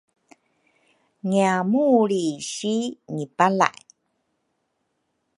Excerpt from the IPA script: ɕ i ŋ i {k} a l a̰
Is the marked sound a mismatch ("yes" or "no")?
yes